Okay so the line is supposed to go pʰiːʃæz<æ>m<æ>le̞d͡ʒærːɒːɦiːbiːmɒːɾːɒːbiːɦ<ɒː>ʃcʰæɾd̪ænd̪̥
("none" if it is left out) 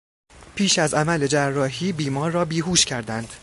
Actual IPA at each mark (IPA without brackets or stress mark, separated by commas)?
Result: æ, æ, uː